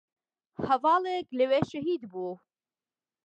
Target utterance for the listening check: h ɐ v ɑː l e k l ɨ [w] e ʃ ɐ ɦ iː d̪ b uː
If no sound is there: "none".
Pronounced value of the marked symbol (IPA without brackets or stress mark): w